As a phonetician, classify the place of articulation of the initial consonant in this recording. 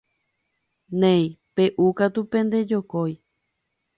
alveolar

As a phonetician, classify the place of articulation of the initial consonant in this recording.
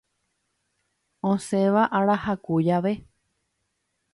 alveolar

